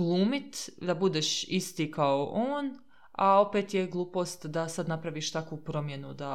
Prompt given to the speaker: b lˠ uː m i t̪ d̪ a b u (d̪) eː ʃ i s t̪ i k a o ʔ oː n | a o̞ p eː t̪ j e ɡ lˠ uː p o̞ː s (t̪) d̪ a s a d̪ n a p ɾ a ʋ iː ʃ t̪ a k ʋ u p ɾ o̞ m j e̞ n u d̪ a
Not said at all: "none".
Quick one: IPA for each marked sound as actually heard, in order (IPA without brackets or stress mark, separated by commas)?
d̪, t̪